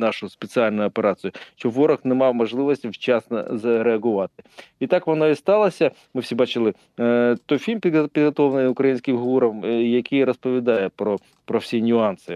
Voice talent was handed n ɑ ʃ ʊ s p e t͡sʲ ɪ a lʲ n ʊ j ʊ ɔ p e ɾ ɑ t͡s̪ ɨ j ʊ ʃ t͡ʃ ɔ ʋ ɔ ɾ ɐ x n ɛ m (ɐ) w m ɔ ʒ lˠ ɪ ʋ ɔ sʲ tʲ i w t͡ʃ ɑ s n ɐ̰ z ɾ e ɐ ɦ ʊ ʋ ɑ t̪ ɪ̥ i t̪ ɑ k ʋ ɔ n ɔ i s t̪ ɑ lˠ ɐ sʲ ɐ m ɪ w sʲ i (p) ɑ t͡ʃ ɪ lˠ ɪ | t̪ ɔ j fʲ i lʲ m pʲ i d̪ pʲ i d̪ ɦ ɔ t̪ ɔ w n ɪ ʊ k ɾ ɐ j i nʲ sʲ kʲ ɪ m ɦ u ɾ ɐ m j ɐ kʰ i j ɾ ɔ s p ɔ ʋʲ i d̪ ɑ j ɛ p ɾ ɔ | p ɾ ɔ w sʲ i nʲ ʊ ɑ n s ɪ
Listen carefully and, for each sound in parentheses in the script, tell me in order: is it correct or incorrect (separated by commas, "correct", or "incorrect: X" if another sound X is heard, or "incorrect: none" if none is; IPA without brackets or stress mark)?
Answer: incorrect: ɑ, incorrect: b